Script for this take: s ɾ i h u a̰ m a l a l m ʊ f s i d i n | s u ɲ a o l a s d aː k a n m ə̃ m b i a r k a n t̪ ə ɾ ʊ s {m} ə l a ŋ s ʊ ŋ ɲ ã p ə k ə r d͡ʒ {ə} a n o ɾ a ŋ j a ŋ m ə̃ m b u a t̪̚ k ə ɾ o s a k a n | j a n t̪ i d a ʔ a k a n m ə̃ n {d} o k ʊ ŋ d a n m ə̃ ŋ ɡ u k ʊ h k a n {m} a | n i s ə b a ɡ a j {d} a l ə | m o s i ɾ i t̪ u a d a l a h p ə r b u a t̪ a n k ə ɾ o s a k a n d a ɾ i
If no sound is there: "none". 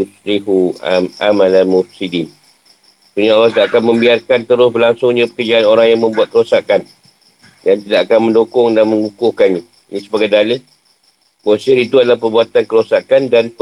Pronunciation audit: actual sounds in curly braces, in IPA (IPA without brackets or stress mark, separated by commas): b, a, d, ɲ, d